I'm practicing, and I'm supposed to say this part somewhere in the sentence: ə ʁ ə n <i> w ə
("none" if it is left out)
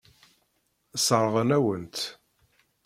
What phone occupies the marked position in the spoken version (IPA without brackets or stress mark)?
æ